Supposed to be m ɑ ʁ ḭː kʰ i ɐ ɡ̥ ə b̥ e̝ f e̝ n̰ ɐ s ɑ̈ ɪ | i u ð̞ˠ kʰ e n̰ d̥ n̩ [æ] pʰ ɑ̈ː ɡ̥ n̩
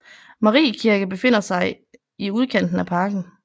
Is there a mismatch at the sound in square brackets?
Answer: no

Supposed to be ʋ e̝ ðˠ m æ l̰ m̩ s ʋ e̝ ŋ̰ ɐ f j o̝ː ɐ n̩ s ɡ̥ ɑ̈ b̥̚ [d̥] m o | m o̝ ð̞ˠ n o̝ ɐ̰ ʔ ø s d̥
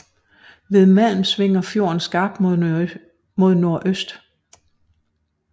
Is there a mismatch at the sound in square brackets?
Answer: no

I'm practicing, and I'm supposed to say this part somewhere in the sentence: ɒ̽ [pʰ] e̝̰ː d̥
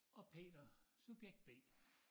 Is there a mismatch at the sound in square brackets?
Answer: no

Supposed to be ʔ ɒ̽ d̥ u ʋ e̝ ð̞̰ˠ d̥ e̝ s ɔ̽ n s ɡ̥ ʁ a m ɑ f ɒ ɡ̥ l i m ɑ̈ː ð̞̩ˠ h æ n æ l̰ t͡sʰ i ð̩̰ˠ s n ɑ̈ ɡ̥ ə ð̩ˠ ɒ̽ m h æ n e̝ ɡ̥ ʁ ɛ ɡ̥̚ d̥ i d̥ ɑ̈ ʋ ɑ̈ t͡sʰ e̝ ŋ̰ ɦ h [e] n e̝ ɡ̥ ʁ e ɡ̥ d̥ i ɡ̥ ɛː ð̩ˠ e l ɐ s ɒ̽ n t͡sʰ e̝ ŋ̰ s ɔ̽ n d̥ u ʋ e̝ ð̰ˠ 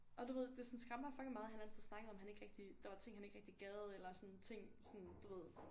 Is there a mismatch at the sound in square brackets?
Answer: yes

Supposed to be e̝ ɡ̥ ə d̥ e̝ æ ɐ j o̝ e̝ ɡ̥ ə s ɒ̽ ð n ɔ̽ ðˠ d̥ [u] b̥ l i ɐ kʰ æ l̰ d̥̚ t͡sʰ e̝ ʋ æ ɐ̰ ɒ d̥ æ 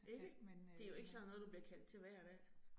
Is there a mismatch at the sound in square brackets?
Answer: no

